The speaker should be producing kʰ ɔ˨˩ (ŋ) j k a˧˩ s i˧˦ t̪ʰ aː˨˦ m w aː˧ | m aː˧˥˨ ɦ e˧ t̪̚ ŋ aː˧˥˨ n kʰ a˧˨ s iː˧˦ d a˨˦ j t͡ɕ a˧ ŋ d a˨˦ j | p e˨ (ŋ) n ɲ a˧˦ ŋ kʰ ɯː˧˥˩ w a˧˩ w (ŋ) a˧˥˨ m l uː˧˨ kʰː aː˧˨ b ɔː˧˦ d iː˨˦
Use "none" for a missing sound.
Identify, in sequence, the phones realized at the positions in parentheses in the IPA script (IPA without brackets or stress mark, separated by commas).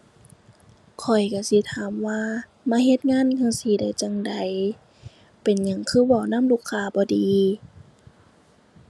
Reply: none, none, n